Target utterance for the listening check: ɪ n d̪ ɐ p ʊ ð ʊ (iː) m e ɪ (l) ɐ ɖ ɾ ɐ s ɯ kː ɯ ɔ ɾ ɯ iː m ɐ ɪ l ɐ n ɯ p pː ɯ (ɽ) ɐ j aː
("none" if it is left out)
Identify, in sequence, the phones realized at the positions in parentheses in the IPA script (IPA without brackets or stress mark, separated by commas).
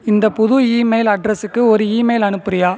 iː, l, ɾ